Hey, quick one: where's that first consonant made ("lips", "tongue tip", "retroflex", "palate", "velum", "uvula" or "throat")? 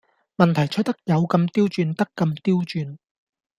lips